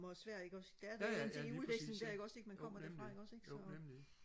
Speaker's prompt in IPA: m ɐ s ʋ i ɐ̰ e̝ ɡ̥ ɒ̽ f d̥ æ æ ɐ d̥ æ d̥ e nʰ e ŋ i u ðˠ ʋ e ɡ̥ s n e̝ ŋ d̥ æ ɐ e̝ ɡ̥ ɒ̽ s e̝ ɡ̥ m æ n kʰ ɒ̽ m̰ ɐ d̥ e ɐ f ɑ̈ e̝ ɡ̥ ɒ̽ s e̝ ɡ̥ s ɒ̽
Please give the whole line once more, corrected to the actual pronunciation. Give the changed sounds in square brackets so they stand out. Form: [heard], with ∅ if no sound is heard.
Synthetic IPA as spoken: m ɐ s ʋ [æ] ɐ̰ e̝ ɡ̥ ɒ̽ [s] d̥ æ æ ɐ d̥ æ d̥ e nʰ e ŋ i u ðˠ ʋ e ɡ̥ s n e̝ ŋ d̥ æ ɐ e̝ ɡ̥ ɒ̽ s e̝ ɡ̥ m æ n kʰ ɒ̽ m̰ ɐ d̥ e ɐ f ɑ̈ e̝ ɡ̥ ɒ̽ s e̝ ɡ̥ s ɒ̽